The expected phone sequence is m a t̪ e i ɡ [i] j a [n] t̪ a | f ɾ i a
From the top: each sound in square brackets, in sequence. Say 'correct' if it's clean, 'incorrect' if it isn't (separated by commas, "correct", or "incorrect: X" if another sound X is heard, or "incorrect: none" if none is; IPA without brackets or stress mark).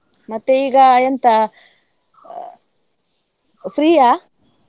incorrect: a, correct